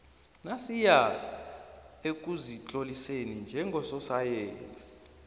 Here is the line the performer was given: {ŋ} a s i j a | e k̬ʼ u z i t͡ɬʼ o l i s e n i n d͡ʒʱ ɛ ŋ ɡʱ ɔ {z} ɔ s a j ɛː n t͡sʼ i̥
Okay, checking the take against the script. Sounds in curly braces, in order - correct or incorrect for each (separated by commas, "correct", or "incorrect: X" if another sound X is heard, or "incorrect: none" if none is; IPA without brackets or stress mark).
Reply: incorrect: n, incorrect: s